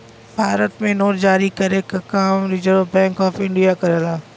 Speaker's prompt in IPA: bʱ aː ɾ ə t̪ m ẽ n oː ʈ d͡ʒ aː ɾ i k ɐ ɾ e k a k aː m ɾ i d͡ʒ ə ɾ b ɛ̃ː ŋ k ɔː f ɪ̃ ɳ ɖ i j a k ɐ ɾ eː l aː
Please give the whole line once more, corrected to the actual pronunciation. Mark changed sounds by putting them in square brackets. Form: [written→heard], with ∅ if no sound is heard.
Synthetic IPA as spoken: bʱ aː ɾ ə t̪ m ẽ n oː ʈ d͡ʒ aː ɾ i k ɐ ɾ e k a k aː m ɾ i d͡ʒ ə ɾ b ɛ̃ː ŋ k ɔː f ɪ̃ ɳ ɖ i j a k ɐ ɾ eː l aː